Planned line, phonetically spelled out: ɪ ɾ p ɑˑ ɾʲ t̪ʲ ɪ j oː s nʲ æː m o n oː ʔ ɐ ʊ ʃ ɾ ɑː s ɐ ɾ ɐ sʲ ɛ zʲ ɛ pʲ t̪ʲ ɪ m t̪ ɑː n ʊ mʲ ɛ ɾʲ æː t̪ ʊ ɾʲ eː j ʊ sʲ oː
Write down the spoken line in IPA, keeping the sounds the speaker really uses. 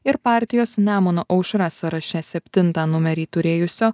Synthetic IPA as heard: ɪ ɾ p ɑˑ ɾʲ t̪ʲ ɪ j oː s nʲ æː m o n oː ʔ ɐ ʊ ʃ ɾ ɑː s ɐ ɾ ɐ ʃʲ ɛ sʲ ɛ pʲ t̪ʲ ɪ n t̪ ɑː n ʊ mʲ ɛ ɾʲ iː t̪ ʊ ɾʲ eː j ʊ sʲ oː